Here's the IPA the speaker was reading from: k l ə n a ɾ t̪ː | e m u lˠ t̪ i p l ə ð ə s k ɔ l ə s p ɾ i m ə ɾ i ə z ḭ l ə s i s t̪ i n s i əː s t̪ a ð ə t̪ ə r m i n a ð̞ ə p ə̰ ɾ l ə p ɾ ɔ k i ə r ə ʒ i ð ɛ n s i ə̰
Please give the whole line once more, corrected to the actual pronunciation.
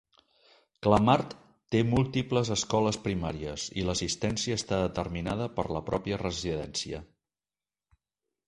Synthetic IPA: k l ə m a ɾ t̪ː | e m u lˠ t̪ i p l ə z ə s k ɔ l ə s p ɾ i m a ɾ i ə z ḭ l ə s i s t̪ ɛ n s i əː s t̪ a ð ə t̪ ə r m i n a ð̞ ə p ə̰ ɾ l ə p ɾ ɔ p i ə r ə z i ð ɛ n s i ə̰